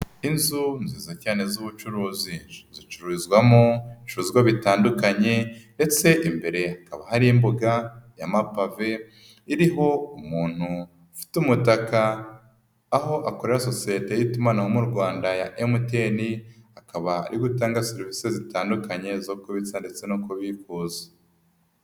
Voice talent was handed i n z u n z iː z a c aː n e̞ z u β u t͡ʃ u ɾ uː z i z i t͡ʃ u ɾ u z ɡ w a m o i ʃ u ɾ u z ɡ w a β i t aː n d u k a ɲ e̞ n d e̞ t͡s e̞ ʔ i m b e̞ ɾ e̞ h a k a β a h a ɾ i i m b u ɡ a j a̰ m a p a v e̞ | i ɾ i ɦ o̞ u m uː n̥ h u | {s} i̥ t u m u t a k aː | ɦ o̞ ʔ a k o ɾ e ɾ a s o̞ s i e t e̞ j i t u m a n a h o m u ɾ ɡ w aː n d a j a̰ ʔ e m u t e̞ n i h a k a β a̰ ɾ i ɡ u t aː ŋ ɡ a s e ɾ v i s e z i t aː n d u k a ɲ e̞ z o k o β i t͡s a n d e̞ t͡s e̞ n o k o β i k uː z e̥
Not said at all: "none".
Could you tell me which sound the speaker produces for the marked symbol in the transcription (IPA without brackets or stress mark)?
f